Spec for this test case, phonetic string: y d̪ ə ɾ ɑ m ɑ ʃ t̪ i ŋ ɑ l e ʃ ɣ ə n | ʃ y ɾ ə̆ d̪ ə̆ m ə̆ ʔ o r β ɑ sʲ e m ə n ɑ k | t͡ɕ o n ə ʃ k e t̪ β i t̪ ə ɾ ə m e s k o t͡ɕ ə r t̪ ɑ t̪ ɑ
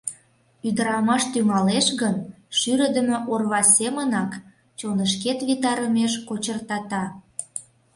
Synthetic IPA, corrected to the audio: y d̪ ə ɾ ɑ m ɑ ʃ t̪ y ŋ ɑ l e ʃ ɣ ə n | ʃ y ɾ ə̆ d̪ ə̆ m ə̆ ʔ o r β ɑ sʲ e m ə n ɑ k | t͡ɕ o n ə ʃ k e t̪ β i t̪ ɑ ɾ ə m e ʃ k o t͡ɕ ə r t̪ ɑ t̪ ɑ